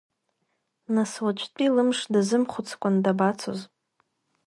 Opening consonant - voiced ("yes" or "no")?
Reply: yes